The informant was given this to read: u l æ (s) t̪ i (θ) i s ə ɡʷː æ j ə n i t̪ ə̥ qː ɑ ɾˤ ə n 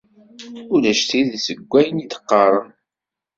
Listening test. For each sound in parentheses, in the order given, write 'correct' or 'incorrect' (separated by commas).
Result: incorrect, incorrect